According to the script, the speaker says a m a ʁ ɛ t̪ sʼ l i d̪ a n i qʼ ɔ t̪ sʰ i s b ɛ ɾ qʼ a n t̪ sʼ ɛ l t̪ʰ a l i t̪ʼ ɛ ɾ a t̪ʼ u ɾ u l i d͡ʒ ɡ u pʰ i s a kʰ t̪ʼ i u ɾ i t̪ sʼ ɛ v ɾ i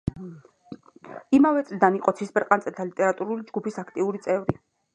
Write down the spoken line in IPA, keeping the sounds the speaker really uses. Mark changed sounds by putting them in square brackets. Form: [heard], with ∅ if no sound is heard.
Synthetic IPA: [i] m a [v] ɛ t̪ sʼ l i d̪ a n i qʼ ɔ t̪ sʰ i s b ɛ ɾ qʼ a n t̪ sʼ ɛ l t̪ʰ a l i t̪ʼ ɛ ɾ a t̪ʼ u ɾ u l i d͡ʒ ɡ u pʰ i s a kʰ t̪ʼ i u ɾ i t̪ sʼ ɛ v ɾ i